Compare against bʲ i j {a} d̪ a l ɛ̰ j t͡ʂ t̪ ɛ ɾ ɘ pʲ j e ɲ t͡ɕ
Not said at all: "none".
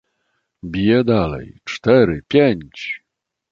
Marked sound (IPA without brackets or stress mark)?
ɛ